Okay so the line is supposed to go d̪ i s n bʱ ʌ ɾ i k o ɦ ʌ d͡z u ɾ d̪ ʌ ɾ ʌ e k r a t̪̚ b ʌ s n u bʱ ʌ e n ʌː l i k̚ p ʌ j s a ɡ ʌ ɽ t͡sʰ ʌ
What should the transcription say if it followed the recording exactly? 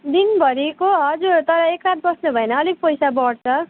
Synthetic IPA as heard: d̪ i n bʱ ʌ ɾ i k o ɦ ʌ d͡z u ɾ t̪ ʌ ɾ ʌ e k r a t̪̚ b ʌ s n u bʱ ʌ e n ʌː l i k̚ p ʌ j s a b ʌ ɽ t͡sʰ ʌ